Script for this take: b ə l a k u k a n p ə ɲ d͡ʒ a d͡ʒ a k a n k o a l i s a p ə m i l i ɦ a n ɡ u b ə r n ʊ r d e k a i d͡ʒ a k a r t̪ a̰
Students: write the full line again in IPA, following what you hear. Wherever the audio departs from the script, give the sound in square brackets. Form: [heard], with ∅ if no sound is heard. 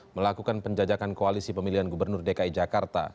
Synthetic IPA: [m] ə l a k u k a n p ə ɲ d͡ʒ a d͡ʒ a k a n k o a l i s [i] p ə m i l i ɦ a n ɡ u b ə r n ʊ r d e k a i d͡ʒ a k a r t̪ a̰